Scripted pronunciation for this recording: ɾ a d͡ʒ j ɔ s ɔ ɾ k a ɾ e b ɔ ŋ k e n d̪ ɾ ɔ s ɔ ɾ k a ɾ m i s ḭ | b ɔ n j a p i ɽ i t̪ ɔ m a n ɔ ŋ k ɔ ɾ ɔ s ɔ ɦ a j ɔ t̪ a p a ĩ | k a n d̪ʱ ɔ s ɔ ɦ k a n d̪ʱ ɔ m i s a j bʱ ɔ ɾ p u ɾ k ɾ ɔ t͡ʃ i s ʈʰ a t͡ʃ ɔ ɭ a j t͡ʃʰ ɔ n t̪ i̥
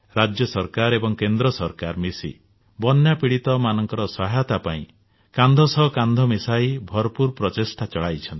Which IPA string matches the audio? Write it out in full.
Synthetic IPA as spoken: ɾ a d͡ʒ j ɔ s ɔ ɾ k a ɾ e b ɔ ŋ k e n d̪ ɾ ɔ s ɔ ɾ k a ɾ m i s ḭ | b ɔ n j a p i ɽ i t̪ ɔ m a n ɔ ŋ k ɔ ɾ ɔ s ɔ ɦ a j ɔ t̪ a p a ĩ | k a n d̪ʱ ɔ s ɔ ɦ k a n d̪ʱ ɔ m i s a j bʱ ɔ ɾ p u ɾ p ɾ ɔ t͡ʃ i s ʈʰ a t͡ʃ ɔ ɭ a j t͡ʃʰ ɔ n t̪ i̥

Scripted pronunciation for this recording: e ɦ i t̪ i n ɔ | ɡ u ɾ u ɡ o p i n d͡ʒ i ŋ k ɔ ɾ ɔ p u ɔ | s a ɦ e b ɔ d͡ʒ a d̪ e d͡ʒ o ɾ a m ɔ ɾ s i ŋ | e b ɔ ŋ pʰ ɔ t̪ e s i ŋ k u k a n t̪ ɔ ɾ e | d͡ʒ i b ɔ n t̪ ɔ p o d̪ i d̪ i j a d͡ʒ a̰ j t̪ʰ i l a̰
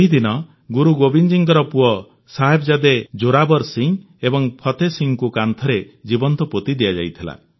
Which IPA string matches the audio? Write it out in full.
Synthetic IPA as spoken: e ɦ i d̪ i n ɔ | ɡ u ɾ u ɡ o b i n d͡ʒ i ŋ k ɔ ɾ ɔ p u ɔ | s a ɦ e b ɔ d͡ʒ a d̪ e d͡ʒ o ɾ a b ɔ ɾ s i ŋ | e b ɔ ŋ pʰ ɔ t̪ e s i ŋ k u k a n t̪ʰ ɔ ɾ e | d͡ʒ i b ɔ n t̪ ɔ p o t̪ i d̪ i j a d͡ʒ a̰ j t̪ʰ i l a̰

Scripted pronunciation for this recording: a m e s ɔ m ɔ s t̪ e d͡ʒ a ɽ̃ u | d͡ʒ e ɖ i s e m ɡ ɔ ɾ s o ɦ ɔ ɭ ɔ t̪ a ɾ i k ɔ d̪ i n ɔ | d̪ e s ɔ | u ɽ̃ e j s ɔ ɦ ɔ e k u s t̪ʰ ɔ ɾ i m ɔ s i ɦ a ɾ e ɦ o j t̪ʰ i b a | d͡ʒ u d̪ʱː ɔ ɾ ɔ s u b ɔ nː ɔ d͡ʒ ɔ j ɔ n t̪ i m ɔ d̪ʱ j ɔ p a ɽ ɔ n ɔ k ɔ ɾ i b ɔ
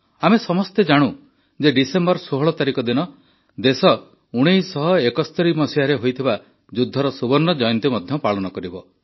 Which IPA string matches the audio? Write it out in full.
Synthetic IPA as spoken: a m e s ɔ m ɔ s t̪ e d͡ʒ a ɽ̃ u | d͡ʒ e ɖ i s e m b ɔ ɾ s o ɦ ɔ ɭ ɔ t̪ a ɾ i k ɔ d̪ i n ɔ | d̪ e s ɔ | u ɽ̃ e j s ɔ ɦ ɔ e k ɔ s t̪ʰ ɔ ɾ i m ɔ s i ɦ a ɾ e ɦ o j t̪ʰ i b a | d͡ʒ u d̪ʱː ɔ ɾ ɔ s u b ɔ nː ɔ d͡ʒ ɔ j ɔ n t̪ i m ɔ d̪ʱ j ɔ p a ɭ ɔ n ɔ k ɔ ɾ i b ɔ

